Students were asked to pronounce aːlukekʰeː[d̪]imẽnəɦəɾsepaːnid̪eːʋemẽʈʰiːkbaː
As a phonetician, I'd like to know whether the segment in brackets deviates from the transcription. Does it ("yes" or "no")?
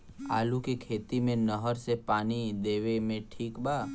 yes